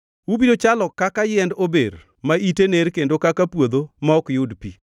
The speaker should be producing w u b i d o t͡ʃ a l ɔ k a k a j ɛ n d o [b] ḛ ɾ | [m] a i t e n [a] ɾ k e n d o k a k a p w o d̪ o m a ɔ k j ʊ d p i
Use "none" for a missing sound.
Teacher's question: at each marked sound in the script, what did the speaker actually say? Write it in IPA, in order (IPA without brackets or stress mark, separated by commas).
b, m, e